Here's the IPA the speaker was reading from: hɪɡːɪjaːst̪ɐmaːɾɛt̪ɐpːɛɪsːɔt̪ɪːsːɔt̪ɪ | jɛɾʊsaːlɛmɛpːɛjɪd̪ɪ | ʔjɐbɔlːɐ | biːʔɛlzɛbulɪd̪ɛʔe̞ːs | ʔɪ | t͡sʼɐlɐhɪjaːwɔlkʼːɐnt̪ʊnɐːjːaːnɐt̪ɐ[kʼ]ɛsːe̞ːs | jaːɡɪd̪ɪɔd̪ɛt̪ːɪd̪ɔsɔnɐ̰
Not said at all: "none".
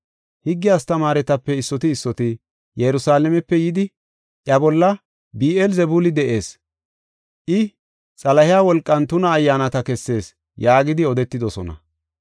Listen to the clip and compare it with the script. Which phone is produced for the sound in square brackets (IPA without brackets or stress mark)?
k